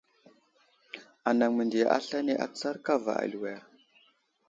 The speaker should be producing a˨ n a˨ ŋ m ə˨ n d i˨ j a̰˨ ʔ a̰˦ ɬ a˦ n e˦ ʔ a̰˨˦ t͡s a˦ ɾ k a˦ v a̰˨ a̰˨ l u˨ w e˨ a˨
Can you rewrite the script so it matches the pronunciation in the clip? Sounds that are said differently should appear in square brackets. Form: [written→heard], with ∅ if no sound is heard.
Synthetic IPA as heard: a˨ n a˨ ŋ m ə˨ n d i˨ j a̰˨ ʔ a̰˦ ɬ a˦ n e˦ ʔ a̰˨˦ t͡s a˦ ɾ k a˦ v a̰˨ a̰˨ l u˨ w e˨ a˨